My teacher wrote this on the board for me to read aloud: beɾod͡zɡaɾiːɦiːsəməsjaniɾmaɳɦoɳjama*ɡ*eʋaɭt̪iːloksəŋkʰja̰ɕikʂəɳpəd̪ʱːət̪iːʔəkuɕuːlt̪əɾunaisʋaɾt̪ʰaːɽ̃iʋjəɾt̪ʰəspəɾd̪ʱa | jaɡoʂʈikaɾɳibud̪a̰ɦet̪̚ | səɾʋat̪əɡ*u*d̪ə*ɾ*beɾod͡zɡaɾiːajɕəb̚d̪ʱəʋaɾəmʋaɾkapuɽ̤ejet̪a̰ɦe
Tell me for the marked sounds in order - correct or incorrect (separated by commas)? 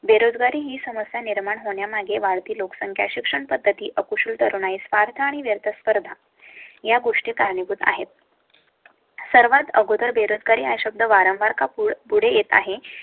correct, incorrect, correct